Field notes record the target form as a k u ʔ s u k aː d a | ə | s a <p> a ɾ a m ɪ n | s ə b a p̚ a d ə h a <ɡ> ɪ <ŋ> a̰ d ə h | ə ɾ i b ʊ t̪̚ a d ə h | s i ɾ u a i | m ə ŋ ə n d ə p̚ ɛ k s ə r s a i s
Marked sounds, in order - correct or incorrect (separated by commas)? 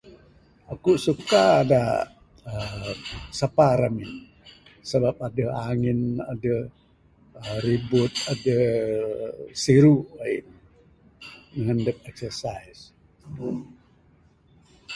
correct, incorrect, incorrect